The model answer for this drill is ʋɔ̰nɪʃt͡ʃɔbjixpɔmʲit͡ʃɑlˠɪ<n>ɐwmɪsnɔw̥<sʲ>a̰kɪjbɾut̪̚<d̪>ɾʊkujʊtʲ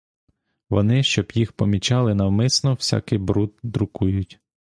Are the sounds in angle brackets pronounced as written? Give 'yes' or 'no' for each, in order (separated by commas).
yes, yes, yes